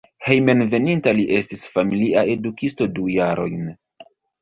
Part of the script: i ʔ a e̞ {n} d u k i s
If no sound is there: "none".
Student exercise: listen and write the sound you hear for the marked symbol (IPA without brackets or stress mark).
none